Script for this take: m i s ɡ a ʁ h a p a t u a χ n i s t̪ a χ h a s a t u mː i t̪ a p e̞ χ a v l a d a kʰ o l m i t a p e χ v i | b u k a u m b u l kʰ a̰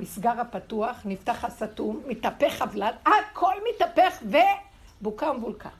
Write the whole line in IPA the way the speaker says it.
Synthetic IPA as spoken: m i s ɡ a ʁ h a p a t u a χ n i f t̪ a χ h a s a t u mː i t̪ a p e̞ χ a v l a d a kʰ o l m i t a p e χ v e | b u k a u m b u l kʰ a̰